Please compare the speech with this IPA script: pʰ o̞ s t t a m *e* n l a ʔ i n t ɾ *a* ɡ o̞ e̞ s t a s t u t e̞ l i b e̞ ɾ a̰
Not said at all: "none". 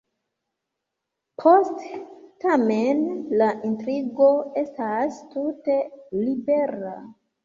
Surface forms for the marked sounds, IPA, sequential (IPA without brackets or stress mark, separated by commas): e, i